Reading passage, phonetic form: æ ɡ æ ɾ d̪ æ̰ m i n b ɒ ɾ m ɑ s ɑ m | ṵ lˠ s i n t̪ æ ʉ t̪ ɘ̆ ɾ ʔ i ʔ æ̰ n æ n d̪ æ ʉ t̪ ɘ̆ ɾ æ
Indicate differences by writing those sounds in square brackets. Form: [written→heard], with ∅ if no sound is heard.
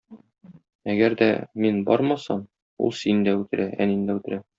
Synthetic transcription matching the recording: æ ɡ æ ɾ d̪ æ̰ m i n b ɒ ɾ m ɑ s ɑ m | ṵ lˠ s i n [t̪→d̪] æ ʉ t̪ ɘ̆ ɾ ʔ [i→æ] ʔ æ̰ n [æ→i] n d̪ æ ʉ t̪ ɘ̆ ɾ æ